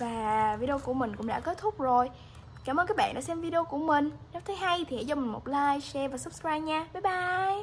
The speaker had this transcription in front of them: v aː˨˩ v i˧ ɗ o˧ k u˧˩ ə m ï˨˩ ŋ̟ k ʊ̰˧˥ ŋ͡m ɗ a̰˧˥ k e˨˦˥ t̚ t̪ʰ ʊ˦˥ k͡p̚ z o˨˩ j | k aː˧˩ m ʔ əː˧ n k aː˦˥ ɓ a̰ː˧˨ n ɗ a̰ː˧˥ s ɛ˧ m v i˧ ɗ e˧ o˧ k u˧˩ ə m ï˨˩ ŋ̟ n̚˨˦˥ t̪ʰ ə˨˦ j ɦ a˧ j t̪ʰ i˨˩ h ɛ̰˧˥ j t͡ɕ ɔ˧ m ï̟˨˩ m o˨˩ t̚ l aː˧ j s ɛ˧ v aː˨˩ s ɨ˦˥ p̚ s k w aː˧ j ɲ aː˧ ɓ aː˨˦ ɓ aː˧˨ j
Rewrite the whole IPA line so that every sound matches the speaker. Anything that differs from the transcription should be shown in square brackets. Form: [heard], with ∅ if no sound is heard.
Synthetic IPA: v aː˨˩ v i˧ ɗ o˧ k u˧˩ ə m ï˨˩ ŋ̟ k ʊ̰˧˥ ŋ͡m ɗ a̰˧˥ k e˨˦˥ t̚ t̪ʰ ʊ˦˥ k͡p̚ z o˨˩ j | k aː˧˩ m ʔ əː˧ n k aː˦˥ ɓ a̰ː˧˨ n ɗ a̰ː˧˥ s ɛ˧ m v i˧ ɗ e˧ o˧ k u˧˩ ə m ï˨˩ ŋ̟ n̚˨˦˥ t̪ʰ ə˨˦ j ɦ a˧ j t̪ʰ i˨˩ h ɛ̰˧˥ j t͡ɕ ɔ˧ m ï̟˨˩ m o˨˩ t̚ l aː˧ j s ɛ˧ v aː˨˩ s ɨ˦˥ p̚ s k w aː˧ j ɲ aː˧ ɓ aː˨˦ ɓ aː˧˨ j